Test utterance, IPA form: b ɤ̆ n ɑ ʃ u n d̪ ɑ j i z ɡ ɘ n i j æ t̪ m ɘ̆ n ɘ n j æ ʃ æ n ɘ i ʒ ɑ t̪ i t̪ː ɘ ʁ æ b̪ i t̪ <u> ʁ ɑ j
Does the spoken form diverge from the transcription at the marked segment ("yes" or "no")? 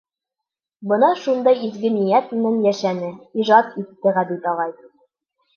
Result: yes